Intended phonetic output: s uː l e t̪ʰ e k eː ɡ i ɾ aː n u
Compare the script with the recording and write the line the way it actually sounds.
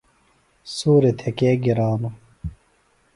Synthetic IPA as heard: s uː ɾ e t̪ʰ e k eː ɡ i ɾ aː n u